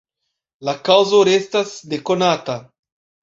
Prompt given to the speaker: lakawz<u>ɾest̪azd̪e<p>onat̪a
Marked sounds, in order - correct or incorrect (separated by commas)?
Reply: incorrect, incorrect